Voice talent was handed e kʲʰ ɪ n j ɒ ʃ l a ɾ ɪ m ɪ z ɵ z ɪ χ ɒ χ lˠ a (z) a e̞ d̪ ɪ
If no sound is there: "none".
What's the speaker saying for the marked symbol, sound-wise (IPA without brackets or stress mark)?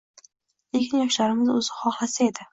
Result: s